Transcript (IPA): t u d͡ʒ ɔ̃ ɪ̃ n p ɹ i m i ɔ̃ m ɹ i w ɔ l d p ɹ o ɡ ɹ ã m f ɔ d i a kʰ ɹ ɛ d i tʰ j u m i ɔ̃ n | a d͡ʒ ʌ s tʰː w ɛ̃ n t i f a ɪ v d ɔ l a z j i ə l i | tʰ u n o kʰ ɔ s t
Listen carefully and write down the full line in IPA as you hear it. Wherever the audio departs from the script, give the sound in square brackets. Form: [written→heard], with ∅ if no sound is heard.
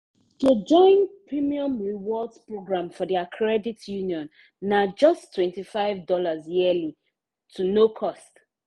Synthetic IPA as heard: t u d͡ʒ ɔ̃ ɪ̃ n p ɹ i m i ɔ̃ m ɹ i w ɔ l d p ɹ o ɡ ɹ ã m f ɔ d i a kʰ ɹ ɛ d i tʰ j u [m→n] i ɔ̃ [n→nː] | a d͡ʒ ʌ s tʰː w ɛ̃ n t i f a ɪ v d ɔ l a z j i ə l i | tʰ u n o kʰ ɔ s t